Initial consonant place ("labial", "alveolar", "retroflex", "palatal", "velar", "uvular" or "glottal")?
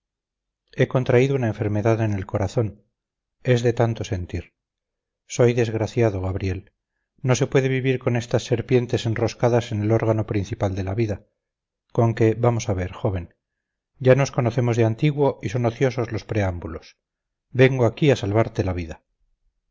velar